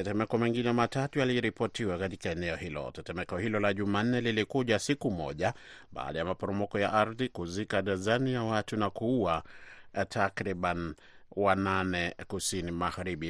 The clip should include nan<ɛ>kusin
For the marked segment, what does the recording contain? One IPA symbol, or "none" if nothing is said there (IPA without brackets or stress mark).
ɛ